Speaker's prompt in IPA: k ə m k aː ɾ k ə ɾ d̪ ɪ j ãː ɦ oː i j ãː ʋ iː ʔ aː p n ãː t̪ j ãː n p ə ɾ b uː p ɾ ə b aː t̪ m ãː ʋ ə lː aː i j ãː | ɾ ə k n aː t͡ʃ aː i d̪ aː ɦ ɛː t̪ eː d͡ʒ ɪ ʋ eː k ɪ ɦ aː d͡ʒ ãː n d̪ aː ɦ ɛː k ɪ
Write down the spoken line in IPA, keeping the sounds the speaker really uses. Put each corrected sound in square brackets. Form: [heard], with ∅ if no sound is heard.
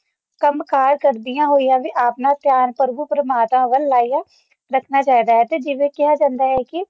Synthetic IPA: k ə m k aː ɾ k ə ɾ d̪ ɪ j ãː ɦ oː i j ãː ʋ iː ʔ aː p n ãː t̪ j [aː] n p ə ɾ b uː p ɾ ə [m] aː t̪ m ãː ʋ ə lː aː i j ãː | ɾ ə [kʰ] n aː t͡ʃ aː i d̪ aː ɦ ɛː t̪ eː d͡ʒ ɪ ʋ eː k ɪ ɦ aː d͡ʒ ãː n d̪ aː ɦ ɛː k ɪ